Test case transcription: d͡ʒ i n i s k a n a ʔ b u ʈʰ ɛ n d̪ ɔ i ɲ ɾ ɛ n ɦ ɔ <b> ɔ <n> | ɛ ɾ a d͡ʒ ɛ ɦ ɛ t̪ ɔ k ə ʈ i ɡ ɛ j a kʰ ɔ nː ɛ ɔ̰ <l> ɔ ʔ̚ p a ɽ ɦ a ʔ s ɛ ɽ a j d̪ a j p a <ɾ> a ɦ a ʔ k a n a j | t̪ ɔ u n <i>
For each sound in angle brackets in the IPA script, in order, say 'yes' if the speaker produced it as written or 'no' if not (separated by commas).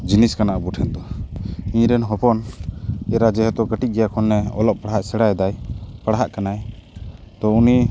no, yes, yes, no, yes